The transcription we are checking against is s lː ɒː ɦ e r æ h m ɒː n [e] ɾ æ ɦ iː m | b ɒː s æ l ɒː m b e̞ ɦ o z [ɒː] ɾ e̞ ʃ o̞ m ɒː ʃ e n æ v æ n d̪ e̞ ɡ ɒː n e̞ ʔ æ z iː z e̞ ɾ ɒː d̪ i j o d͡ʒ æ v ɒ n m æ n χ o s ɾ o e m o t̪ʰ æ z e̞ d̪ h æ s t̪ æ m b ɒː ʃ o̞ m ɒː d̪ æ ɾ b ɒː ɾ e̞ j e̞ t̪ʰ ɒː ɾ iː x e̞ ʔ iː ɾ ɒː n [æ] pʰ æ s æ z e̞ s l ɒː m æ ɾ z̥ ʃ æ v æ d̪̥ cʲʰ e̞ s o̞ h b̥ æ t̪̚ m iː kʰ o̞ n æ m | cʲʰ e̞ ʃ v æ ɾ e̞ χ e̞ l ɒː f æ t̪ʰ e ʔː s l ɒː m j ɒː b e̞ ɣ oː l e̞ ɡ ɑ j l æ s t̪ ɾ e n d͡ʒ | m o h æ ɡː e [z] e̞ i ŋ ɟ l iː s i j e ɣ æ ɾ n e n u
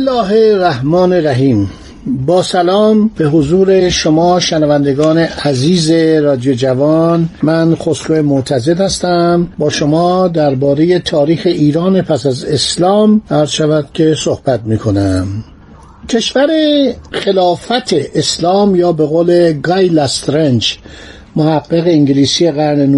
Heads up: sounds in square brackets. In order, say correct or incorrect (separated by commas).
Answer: correct, incorrect, incorrect, incorrect